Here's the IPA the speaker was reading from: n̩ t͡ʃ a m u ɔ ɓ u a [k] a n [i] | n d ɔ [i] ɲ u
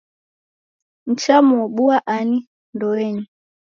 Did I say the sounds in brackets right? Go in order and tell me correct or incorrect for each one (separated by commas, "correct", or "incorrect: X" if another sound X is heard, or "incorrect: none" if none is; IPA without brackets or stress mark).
incorrect: ʔ, correct, incorrect: ɛ